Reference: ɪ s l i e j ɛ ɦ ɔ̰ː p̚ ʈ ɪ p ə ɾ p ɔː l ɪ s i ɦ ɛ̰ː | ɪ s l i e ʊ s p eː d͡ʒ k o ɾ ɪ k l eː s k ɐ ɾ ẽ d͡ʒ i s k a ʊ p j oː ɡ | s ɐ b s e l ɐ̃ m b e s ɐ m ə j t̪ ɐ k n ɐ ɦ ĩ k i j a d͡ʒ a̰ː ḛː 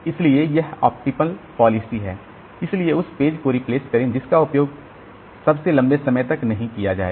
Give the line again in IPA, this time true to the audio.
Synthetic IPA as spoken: ɪ s l i e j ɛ ɦ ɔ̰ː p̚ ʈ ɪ p ə l p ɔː l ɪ s i ɦ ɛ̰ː | ɪ s l i e ʊ s p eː d͡ʒ k o ɾ ɪ p l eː s k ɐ ɾ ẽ d͡ʒ ɪ s k a ʊ p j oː ɡ | s ɐ b s e l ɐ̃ m b e s ɐ m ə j t̪ ɐ k n ɐ ɦ ĩ k i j a d͡ʒ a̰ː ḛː